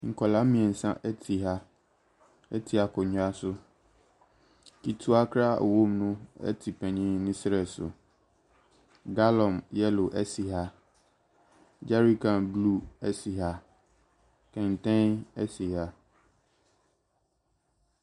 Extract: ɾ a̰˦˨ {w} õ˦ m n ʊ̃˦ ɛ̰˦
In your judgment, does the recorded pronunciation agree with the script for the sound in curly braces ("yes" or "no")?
yes